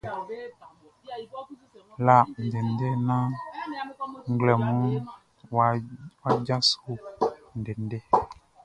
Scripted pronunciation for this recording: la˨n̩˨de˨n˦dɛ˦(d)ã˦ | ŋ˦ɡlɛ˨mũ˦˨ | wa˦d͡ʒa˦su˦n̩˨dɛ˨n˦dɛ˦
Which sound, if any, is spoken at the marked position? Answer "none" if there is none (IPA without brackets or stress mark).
n